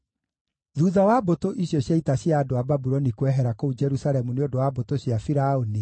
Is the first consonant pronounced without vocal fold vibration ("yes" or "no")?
no